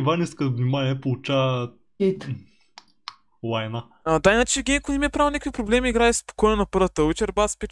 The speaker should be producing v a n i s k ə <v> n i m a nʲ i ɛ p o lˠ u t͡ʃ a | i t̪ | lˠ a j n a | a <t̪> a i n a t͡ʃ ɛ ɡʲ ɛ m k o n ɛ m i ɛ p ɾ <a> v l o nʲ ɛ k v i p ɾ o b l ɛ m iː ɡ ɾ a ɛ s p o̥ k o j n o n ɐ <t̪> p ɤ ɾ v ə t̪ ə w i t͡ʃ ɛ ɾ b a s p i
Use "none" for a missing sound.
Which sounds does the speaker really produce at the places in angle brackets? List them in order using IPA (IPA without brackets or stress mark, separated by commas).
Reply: v, d̪, a, none